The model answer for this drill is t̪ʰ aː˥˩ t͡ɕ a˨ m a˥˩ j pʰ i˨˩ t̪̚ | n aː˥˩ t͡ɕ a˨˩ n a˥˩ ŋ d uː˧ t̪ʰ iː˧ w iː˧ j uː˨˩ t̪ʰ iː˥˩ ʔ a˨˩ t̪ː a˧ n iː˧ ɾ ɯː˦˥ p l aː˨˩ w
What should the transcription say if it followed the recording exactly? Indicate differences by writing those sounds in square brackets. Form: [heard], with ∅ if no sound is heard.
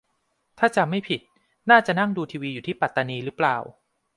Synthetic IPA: t̪ʰ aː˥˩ t͡ɕ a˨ m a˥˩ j pʰ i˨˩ t̪̚ | n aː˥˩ t͡ɕ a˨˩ n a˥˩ ŋ d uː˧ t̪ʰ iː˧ w iː˧ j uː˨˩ t̪ʰ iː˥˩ [p] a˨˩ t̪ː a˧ n iː˧ ɾ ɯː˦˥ p l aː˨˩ w